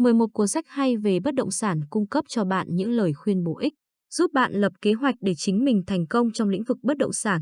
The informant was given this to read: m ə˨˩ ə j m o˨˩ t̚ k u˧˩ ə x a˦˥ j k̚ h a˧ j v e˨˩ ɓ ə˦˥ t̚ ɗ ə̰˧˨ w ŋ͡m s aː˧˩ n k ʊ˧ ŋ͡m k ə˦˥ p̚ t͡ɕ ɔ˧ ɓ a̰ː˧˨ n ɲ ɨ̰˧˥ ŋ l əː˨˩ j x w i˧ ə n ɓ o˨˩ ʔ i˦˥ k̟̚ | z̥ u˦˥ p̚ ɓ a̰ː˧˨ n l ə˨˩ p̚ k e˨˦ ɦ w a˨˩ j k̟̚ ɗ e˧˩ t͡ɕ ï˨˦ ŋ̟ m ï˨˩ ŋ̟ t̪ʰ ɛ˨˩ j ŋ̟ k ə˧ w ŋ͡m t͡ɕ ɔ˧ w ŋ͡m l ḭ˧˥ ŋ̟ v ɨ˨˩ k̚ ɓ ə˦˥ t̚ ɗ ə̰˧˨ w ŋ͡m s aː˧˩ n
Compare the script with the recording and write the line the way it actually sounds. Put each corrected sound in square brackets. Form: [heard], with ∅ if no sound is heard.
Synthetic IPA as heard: m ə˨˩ ə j m o˨˩ t̚ k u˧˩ ə [s] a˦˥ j k̚ h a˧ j v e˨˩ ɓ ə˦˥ t̚ ɗ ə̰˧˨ w ŋ͡m s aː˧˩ n k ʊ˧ ŋ͡m k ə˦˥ p̚ t͡ɕ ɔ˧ ɓ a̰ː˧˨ n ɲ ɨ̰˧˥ ŋ l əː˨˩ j x w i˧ ə n ɓ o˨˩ ʔ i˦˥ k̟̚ | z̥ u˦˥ p̚ ɓ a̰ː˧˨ n l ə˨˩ p̚ k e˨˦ ɦ w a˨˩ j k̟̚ ɗ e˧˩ t͡ɕ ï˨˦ ŋ̟ m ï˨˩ ŋ̟ t̪ʰ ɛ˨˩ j ŋ̟ k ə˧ w ŋ͡m t͡ɕ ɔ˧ w ŋ͡m l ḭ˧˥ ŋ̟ v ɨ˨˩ k̚ ɓ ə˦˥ t̚ ɗ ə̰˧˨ w ŋ͡m s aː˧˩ n